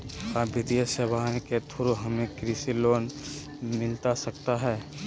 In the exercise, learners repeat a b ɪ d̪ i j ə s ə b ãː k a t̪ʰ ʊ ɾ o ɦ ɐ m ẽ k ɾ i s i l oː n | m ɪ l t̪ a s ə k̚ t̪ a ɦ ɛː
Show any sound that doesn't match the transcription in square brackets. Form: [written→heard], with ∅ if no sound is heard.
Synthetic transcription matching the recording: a b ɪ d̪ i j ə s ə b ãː k [a→e] t̪ʰ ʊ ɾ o ɦ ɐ m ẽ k ɾ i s i l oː n | m ɪ l t̪ a s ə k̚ t̪ a ɦ ɛː